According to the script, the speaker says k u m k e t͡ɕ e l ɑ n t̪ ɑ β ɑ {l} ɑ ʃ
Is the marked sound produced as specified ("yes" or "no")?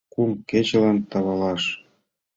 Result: yes